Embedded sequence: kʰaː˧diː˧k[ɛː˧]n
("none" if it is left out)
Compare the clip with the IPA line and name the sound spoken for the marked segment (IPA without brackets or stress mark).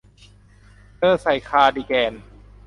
ɛː˧